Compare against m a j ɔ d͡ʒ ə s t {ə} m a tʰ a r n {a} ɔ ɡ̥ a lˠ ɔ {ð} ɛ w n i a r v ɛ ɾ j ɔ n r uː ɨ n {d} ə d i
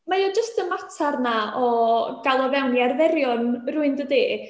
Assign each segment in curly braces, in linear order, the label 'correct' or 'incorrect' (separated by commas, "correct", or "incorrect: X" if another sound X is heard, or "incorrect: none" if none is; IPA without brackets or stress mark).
correct, correct, incorrect: v, correct